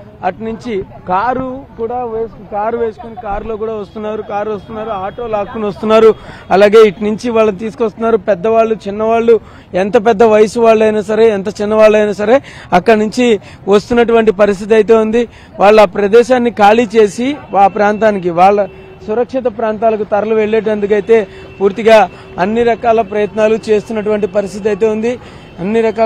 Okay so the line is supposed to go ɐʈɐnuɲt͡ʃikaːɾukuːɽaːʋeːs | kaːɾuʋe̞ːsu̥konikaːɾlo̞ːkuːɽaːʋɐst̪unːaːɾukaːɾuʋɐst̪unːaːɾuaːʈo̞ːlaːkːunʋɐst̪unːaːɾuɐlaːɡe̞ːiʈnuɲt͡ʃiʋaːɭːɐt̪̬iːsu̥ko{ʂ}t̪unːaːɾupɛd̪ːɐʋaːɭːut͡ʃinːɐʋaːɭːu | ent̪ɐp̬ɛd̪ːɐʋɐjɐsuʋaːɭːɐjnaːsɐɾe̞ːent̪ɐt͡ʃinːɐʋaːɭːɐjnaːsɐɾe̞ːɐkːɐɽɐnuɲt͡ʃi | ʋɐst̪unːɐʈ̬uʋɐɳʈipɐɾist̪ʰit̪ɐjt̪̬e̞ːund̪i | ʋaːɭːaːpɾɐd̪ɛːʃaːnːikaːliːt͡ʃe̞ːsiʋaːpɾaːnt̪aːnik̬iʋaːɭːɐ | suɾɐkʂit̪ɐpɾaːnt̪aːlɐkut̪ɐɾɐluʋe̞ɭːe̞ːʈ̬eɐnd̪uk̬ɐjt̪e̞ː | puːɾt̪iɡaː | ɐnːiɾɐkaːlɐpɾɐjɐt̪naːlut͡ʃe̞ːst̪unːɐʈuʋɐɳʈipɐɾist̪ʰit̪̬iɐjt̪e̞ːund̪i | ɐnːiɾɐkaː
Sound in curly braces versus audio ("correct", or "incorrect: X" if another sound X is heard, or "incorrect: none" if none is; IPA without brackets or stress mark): incorrect: s